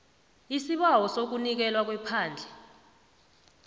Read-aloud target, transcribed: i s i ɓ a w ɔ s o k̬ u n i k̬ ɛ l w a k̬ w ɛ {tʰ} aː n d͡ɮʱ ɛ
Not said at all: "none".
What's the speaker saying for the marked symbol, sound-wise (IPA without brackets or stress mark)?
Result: pʰ